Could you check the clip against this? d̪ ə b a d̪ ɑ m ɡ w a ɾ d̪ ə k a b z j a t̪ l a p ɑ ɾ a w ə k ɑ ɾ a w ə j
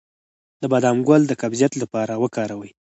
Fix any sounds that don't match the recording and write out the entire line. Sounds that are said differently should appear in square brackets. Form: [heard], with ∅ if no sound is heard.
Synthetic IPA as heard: d̪ ə b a d̪ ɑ m ɡ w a [l] d̪ ə k a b z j a t̪ l a p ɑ ɾ a w ə k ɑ ɾ a w ə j